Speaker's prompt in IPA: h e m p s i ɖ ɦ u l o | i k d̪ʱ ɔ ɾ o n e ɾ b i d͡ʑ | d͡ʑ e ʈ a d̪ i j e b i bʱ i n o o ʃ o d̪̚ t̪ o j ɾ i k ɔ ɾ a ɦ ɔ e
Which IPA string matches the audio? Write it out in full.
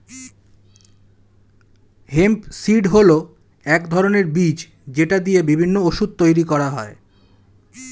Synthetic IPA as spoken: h e m p s i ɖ ɦ o l o | ɛ k d̪ʱ ɔ ɾ o n e ɾ b i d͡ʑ | d͡ʑ e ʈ a d̪ i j e b i bʱ i nː o o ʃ u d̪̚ t̪ o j ɾ i k ɔ ɾ a ɦ ɔ e